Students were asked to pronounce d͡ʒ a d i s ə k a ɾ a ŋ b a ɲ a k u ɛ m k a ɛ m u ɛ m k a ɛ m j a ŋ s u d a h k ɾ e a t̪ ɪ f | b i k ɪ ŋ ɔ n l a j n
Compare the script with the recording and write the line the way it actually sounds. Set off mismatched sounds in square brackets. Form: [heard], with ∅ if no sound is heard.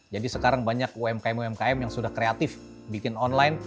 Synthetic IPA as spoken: d͡ʒ a d i s ə k a ɾ a ŋ b a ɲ a k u ɛ m k a ɛ m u ɛ m k a ɛ m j a ŋ s u d a h k ɾ e a t̪ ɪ f | b i k ɪ [n] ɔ n l a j n